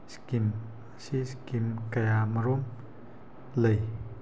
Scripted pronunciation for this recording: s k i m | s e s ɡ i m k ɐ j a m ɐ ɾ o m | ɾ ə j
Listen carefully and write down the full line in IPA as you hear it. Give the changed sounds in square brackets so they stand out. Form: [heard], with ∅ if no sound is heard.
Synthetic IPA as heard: s k i m | s [i] s [k] i m k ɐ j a m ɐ ɾ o m | [l] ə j